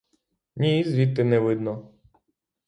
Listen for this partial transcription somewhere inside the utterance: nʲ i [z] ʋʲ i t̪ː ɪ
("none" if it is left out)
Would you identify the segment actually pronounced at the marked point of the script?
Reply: z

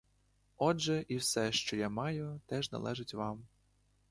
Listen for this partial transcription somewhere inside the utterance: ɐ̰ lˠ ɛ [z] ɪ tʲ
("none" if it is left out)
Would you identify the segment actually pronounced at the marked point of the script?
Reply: ʒ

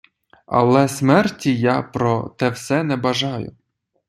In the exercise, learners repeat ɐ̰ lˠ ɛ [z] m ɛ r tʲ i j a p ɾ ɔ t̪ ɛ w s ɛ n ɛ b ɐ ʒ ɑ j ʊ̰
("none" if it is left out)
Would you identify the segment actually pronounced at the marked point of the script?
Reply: s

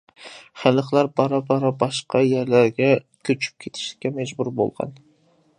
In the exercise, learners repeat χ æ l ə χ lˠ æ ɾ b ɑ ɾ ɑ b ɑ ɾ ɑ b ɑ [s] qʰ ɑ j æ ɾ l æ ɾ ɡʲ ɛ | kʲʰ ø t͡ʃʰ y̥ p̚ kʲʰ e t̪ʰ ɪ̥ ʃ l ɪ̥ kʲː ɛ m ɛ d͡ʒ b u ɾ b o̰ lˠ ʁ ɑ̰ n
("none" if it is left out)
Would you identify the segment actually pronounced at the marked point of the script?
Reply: ʃ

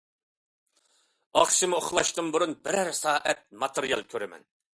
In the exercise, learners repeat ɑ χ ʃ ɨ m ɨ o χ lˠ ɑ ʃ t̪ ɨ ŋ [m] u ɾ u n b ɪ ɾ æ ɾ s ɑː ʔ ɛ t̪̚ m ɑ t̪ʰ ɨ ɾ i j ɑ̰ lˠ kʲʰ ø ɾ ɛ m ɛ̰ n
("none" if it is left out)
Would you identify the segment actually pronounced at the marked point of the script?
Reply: b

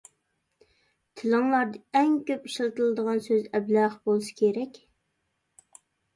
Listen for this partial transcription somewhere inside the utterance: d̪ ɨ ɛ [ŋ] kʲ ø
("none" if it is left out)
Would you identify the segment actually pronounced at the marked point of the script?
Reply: ŋ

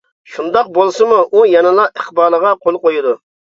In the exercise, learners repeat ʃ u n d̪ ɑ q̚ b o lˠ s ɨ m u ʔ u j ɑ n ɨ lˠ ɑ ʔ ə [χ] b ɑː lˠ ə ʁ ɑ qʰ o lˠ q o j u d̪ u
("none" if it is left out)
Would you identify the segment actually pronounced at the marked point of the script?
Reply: χ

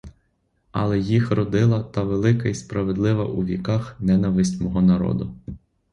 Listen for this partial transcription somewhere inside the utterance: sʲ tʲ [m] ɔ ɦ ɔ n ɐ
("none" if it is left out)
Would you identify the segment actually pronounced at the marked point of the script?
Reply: m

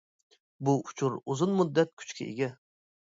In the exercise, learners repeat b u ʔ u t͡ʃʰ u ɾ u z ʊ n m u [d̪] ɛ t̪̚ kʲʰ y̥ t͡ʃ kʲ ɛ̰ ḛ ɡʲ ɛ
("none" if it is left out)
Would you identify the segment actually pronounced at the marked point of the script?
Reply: d̪ː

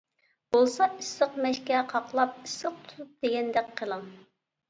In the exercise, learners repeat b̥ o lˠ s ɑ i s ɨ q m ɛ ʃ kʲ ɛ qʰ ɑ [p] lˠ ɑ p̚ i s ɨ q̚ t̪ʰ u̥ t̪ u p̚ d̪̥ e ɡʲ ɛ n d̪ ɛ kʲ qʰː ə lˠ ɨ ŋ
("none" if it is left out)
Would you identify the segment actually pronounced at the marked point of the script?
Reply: q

